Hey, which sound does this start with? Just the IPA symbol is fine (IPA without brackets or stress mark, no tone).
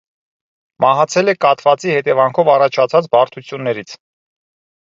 m